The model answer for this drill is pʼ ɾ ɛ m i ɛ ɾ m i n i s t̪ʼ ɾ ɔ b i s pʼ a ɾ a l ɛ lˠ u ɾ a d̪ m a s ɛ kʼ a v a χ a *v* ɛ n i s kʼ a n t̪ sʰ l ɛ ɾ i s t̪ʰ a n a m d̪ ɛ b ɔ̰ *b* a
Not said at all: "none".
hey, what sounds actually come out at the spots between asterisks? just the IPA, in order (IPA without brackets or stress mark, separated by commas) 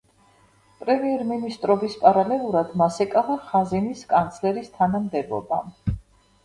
z, b